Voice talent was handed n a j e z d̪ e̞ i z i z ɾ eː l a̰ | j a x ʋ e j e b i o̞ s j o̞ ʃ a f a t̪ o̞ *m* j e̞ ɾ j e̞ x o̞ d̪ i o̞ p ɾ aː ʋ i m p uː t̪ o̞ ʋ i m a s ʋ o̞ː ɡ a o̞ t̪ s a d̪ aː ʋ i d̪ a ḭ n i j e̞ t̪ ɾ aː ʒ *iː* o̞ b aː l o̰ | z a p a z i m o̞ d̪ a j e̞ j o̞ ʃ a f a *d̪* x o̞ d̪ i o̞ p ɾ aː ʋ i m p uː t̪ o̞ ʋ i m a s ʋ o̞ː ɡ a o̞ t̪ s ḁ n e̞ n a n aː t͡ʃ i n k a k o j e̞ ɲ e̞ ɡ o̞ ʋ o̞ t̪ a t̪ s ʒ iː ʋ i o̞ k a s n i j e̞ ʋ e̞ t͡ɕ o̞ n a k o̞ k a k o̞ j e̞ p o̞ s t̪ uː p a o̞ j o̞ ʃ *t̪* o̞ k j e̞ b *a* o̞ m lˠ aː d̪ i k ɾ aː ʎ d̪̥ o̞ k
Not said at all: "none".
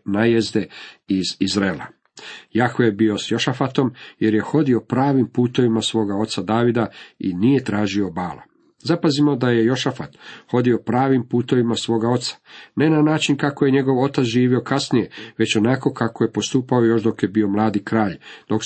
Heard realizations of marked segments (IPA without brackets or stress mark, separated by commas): m, i, t̪, d̪, i